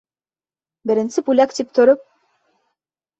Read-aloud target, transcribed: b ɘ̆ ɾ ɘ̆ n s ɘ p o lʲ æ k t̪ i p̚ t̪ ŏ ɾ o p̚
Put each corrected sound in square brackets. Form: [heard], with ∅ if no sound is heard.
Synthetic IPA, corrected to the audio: b ɘ̆ ɾ ɘ̆ n s ɘ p [u] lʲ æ k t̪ i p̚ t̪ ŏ ɾ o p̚